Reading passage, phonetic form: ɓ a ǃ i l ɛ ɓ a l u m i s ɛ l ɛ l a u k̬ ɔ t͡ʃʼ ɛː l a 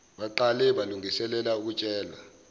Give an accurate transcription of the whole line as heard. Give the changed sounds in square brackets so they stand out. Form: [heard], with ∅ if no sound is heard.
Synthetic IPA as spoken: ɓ a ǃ [a] l ɛ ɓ a l u [ŋ] i s ɛ l ɛ l a u k̬ [u] t͡ʃʼ ɛː l a